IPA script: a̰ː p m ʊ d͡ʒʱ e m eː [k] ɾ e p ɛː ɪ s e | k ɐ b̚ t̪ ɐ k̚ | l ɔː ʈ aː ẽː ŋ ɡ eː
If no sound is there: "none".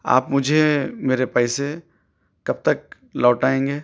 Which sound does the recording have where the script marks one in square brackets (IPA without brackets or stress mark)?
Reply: none